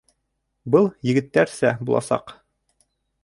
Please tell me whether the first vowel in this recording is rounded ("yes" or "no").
no